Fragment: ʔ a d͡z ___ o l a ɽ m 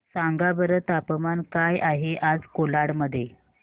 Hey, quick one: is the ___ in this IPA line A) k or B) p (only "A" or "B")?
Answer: A